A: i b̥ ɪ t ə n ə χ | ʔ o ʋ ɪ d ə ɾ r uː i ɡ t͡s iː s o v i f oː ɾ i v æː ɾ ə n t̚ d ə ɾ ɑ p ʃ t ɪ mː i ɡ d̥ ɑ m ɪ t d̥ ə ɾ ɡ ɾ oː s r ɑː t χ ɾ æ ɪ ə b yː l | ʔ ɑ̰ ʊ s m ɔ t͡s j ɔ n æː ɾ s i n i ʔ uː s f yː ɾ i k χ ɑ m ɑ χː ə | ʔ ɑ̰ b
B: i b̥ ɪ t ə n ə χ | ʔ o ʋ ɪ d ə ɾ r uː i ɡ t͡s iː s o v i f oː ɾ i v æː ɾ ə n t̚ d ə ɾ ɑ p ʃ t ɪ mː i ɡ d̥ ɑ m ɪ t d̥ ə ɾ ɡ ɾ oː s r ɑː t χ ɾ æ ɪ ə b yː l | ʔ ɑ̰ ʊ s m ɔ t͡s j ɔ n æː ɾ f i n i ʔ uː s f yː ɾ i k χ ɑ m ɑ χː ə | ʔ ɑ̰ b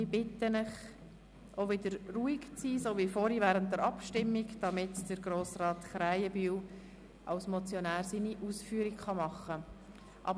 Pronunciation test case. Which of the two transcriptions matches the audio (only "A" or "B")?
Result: A